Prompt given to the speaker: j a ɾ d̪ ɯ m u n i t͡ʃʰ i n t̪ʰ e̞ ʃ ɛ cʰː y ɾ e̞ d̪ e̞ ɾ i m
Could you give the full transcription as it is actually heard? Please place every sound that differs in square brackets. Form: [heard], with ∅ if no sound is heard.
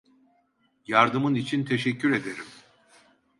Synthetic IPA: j a ɾ d̪ ɯ m [ɯ] n i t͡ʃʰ i n t̪ʰ e̞ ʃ ɛ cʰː y ɾ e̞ d̪ e̞ ɾ i m